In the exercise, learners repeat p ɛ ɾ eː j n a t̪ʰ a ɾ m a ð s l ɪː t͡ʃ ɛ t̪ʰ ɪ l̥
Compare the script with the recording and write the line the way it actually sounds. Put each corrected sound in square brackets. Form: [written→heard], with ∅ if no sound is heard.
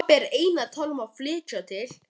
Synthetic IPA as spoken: p ɛ ɾ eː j n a t̪ʰ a [ɾ→l] m a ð [s→f] l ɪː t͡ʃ [ɛ→a] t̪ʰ ɪ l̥